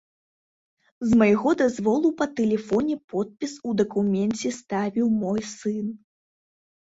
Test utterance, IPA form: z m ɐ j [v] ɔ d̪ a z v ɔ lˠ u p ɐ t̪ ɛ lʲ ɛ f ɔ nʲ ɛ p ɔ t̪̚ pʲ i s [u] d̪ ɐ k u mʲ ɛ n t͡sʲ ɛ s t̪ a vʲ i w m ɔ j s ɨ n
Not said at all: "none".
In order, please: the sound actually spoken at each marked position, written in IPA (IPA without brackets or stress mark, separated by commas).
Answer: ɣ, u